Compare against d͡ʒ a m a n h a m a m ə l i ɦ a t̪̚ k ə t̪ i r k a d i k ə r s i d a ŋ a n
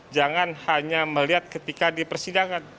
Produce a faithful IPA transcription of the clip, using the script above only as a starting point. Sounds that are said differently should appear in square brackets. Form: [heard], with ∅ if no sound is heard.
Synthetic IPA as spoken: d͡ʒ a [ŋ] a n h a [ɲ] a m ə l i ɦ a t̪̚ k ə t̪ i [∅] k a d i [p] ə r s i d a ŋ a n

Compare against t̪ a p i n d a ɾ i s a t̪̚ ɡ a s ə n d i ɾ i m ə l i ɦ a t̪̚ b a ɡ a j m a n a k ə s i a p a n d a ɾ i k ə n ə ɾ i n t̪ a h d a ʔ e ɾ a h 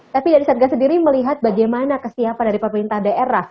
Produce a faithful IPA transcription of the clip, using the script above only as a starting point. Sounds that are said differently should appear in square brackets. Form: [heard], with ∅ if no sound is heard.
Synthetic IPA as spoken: t̪ a p i [∅] d a ɾ i s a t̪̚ ɡ a s ə n d i ɾ i m ə l i ɦ a t̪̚ b a ɡ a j m a n a k ə s i a p a n d a ɾ i [p] ə [m] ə ɾ i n t̪ a h d a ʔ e ɾ a h

